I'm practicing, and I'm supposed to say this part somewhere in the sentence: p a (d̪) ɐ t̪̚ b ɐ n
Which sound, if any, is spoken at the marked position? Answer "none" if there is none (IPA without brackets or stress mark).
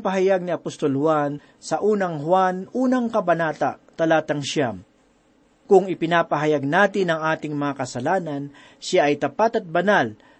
t̪